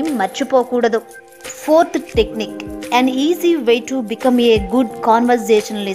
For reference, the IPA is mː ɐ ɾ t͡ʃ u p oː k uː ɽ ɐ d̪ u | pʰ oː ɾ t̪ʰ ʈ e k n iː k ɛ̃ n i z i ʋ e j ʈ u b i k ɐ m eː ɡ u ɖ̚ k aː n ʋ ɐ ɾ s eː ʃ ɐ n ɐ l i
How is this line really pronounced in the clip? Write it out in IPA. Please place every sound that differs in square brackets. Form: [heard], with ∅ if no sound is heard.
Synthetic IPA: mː ɐ ɾ t͡ʃ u p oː k uː ɽ ɐ d̪ u | pʰ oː ɾ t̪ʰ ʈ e k n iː k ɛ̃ n [iː] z i ʋ e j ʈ u b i k ɐ m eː ɡ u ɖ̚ k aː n ʋ ɐ ɾ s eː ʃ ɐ n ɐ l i